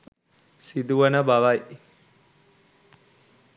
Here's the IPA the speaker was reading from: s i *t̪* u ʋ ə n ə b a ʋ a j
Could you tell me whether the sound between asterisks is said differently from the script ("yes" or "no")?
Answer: yes